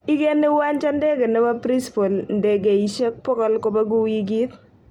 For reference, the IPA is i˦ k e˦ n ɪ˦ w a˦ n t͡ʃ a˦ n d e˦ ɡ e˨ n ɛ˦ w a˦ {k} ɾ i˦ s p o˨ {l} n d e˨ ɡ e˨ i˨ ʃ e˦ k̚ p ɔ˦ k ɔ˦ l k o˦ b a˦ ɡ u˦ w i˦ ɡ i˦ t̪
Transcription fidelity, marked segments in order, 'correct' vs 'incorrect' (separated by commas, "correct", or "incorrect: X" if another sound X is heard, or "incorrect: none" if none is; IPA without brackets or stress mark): incorrect: p, correct